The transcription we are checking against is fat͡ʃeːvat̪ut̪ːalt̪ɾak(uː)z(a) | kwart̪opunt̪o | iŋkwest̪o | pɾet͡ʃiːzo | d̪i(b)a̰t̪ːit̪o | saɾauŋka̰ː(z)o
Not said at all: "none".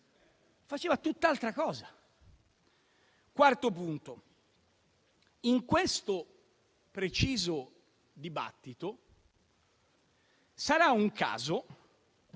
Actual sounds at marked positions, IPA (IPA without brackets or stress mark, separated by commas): ɔː, a, b, z